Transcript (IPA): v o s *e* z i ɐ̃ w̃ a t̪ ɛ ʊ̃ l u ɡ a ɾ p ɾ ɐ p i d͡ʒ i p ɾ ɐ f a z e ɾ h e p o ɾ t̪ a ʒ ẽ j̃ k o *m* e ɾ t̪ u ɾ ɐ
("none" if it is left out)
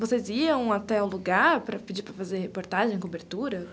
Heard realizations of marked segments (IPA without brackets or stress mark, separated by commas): e, b